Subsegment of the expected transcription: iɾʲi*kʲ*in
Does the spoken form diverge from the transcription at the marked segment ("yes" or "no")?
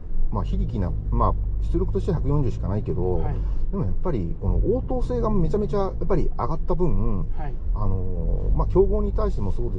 no